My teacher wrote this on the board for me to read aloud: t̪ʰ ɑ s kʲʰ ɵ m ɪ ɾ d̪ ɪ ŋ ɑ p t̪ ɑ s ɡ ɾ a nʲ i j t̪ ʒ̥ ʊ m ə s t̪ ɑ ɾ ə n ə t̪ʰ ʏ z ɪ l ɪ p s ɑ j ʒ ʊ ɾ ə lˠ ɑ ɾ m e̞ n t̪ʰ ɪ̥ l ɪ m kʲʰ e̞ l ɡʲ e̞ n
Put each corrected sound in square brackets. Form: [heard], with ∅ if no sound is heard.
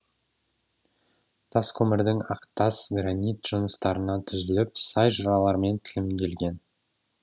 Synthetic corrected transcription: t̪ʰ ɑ s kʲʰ ɵ m ɪ ɾ d̪ ɪ ŋ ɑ [q] t̪ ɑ s ɡ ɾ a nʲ i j t̪ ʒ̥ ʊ [n] ə s t̪ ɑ ɾ ə n [ɑ] t̪ʰ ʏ z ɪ l ɪ p s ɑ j ʒ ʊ ɾ [ɑ] lˠ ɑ ɾ m e̞ n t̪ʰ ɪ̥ l ɪ m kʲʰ e̞ l ɡʲ e̞ n